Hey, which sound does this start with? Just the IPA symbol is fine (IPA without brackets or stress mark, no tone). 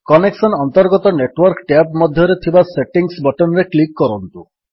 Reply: k